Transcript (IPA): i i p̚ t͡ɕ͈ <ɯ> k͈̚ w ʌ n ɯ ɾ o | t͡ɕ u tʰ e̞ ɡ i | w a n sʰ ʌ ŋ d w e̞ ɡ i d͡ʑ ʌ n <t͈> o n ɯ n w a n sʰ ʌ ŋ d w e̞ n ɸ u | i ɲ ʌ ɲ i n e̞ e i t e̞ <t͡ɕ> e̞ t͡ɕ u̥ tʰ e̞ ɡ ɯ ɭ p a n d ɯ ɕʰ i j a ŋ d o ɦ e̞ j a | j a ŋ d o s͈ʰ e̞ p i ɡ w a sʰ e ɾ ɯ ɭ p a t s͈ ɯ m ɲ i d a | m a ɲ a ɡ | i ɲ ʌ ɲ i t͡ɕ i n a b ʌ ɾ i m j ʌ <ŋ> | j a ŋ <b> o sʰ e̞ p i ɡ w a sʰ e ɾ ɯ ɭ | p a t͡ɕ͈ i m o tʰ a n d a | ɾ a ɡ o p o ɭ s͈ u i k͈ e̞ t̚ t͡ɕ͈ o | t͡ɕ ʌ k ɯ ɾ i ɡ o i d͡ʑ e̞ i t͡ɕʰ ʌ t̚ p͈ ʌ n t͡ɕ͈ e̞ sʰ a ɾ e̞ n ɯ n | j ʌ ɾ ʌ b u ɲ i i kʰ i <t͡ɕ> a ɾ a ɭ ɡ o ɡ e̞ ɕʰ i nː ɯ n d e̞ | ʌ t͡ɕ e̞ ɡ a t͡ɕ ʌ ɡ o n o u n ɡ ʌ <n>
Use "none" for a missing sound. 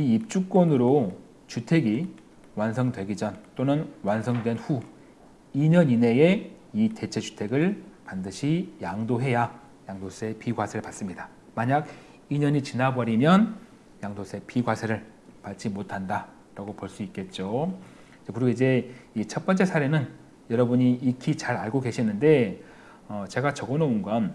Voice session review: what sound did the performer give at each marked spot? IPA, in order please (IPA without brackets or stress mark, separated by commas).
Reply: u, t͈, t͡ɕʰ, n, d, t͡ɕ, n